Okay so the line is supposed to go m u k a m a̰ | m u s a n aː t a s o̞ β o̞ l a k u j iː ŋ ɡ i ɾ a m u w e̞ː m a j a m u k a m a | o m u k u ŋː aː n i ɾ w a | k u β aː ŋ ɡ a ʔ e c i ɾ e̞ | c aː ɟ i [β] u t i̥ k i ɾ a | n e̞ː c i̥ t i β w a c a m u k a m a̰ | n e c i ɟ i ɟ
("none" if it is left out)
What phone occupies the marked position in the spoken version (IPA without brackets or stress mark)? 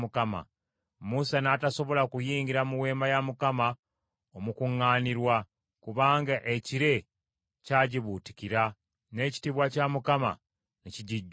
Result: β